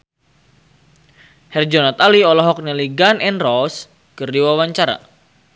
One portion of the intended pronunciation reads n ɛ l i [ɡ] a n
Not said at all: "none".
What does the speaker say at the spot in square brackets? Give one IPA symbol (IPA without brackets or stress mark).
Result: ɡ